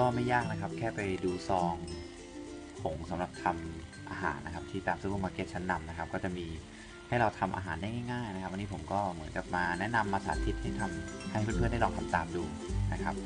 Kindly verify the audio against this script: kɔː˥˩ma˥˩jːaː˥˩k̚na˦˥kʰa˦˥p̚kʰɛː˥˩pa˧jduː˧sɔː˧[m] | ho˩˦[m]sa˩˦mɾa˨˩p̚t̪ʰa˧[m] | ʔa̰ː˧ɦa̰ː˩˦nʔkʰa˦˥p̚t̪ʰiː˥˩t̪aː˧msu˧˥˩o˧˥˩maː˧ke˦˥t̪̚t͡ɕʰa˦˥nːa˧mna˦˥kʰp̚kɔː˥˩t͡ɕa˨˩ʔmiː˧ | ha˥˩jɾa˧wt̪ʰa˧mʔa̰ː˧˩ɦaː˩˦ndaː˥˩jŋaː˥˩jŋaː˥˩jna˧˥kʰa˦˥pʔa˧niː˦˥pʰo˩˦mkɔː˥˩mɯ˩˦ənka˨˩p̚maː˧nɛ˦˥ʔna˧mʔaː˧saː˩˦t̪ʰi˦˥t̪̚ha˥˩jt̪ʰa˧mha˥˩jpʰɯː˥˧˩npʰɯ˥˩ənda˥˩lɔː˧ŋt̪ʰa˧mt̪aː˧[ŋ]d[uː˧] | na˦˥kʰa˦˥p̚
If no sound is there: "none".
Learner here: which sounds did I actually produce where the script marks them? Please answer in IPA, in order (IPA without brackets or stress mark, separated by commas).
ŋ, ŋ, m, m, uː˧